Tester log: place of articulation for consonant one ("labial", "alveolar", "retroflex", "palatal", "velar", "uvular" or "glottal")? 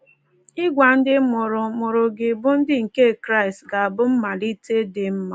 velar